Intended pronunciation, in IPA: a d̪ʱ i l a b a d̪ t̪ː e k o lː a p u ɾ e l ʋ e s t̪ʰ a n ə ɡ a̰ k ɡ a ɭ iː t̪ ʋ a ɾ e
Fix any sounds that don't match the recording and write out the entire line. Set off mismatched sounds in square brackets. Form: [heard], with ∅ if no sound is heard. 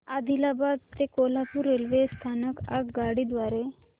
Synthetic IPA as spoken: a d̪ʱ i l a b a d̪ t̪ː e k o [l] a p u ɾ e l ʋ e s t̪ʰ a n ə [k] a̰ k ɡ a [ɽ] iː [d̪] ʋ a ɾ e